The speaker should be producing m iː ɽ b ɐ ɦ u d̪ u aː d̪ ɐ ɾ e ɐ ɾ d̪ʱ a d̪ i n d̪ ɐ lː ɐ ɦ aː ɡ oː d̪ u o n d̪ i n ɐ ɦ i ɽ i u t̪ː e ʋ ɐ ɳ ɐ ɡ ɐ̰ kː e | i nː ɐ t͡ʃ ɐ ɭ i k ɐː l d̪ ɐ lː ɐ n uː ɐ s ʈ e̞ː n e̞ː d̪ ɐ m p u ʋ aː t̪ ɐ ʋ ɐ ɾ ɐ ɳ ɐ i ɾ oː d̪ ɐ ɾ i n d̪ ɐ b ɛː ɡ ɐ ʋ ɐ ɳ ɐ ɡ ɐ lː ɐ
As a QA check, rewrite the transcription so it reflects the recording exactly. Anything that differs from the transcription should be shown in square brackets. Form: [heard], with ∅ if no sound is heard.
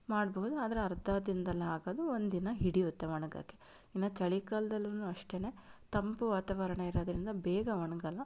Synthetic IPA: m [aː] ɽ b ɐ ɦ u d̪ u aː d̪ ɐ ɾ e ɐ ɾ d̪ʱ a d̪ i n d̪ ɐ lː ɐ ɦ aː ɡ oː d̪ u o n d̪ i n ɐ ɦ i ɽ i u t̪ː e ʋ ɐ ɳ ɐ ɡ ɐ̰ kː e | i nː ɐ t͡ʃ ɐ ɭ i k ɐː l d̪ ɐ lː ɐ n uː ɐ [ʂ] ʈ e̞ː n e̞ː [t̪] ɐ m p u ʋ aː t̪ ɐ ʋ ɐ ɾ ɐ ɳ ɐ i ɾ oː d̪ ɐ ɾ i n d̪ ɐ b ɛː ɡ ɐ ʋ ɐ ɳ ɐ ɡ ɐ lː ɐ